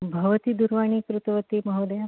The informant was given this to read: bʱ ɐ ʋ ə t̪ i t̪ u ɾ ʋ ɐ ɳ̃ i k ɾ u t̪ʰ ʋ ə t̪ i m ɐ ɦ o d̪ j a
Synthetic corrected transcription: bʱ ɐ ʋ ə t̪ i d̪ u ɾ ʋ a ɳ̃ i k ɾ u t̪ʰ ʋ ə t̪ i m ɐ ɦ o d̪ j a